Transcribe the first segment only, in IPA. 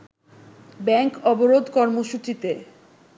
b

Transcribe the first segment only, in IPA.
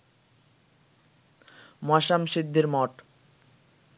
m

